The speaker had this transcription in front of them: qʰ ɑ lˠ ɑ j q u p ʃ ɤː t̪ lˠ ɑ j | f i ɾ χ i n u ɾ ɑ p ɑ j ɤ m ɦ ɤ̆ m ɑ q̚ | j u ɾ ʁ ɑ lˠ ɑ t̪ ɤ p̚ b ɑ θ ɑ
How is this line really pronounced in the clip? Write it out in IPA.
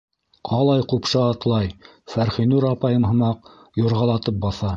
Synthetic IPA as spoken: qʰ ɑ lˠ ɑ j q u p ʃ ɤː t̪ lˠ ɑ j | f æ ɾ χ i n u ɾ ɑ p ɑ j ɤ m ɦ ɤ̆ m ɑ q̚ | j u ɾ ʁ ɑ lˠ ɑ t̪ ɤ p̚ b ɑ θ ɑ